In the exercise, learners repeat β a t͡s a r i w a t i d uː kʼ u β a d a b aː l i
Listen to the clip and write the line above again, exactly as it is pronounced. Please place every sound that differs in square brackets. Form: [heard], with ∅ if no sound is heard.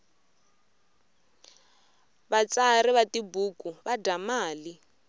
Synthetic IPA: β a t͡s a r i [β] a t i [b] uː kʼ u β a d a [m] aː l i